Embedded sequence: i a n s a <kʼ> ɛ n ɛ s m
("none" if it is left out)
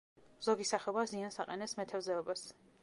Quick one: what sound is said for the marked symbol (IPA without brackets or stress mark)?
qʼ